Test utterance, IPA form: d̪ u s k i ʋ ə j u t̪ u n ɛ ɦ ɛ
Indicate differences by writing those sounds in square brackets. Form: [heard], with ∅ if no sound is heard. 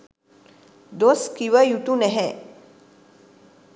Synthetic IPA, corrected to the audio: d̪ [o] s k i ʋ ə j u t̪ u n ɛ ɦ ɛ